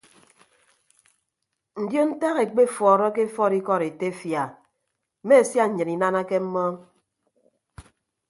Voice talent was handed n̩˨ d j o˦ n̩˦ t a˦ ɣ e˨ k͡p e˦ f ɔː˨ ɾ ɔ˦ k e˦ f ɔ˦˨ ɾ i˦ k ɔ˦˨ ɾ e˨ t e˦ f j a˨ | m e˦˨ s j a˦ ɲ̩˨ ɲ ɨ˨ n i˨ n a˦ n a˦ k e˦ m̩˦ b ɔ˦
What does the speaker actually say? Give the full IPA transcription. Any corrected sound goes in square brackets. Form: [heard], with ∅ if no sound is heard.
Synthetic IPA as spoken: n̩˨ d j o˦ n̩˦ t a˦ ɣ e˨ k͡p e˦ f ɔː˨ ɾ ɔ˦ k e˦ f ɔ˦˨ ɾ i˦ k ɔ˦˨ ɾ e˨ t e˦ f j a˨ | m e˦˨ s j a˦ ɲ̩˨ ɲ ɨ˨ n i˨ n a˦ n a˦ k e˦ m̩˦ [m] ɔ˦